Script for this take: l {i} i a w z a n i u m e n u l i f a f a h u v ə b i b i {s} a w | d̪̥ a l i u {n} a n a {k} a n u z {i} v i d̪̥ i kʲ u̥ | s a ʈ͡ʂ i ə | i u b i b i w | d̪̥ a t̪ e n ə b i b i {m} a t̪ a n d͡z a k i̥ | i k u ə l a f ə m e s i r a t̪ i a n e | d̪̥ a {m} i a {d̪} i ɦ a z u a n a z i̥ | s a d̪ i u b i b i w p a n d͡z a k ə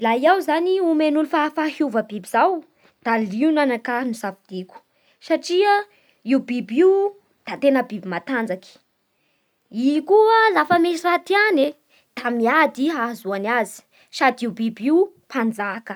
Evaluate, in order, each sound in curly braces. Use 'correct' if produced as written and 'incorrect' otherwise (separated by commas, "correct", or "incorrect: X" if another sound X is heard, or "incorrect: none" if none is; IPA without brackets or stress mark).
incorrect: a, incorrect: z, correct, correct, incorrect: a, correct, correct, correct